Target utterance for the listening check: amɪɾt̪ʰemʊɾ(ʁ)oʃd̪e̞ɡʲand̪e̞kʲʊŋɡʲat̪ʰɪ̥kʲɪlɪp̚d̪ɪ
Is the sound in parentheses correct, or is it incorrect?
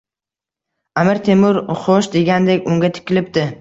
incorrect